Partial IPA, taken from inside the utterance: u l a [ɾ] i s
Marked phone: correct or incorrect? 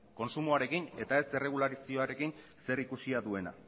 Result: correct